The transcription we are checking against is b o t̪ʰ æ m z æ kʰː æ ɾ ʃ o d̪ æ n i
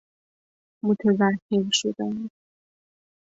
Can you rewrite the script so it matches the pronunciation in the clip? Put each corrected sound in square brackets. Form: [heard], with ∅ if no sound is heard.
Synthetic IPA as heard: [m] o t̪ʰ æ [∅] z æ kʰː [e] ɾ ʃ o d̪ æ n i